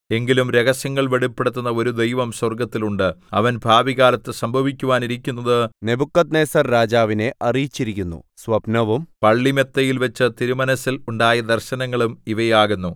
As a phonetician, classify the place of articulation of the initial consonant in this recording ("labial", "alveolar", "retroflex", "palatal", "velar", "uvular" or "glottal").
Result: velar